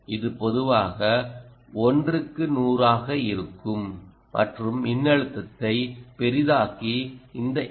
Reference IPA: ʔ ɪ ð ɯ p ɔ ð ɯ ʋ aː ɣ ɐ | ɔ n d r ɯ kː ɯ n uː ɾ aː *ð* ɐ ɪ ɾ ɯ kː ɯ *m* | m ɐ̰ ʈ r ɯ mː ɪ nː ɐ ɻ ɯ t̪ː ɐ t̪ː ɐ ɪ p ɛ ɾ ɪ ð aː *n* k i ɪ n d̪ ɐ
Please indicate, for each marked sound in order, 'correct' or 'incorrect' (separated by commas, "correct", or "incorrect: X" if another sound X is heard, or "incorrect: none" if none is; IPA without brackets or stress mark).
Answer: incorrect: ɣ, correct, incorrect: none